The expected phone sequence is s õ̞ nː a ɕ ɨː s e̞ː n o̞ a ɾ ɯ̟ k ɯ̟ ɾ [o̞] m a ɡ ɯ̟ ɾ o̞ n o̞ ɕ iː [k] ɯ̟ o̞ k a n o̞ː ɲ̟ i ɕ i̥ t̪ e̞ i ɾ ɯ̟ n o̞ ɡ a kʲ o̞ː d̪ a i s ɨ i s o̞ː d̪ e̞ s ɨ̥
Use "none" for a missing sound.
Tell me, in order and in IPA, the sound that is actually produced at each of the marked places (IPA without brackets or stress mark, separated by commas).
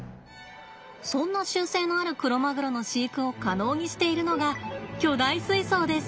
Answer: o̞, k